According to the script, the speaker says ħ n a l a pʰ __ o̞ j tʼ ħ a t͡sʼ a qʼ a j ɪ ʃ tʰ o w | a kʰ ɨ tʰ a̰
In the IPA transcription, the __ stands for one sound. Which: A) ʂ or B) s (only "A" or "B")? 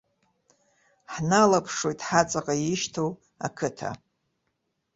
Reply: A